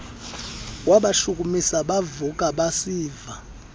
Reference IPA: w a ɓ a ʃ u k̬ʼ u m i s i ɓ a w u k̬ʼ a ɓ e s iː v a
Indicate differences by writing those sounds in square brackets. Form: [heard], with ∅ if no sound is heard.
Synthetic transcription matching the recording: w a ɓ a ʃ u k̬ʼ u m i s [a] ɓ a [v] u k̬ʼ a ɓ [a] s iː v a